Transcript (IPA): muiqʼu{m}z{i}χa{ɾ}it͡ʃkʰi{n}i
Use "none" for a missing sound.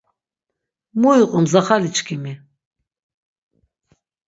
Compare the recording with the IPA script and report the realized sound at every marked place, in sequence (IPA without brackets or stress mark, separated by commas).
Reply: m, a, l, m